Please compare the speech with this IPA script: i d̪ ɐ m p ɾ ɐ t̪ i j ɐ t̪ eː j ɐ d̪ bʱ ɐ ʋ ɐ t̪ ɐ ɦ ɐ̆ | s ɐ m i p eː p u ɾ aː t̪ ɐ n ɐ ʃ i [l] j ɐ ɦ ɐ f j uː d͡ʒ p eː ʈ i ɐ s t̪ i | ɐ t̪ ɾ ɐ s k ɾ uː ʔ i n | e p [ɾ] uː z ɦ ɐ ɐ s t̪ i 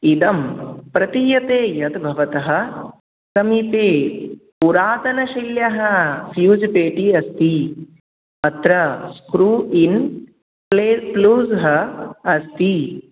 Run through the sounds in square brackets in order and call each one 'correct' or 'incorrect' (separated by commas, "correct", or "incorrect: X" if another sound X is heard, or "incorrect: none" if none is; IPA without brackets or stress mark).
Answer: correct, incorrect: l